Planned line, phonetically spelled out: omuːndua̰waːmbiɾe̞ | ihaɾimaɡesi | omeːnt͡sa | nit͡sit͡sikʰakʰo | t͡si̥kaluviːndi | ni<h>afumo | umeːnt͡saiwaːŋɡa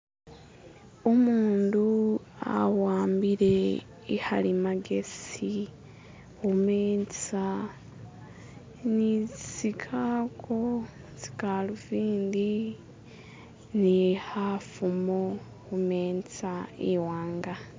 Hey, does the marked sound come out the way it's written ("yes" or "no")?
yes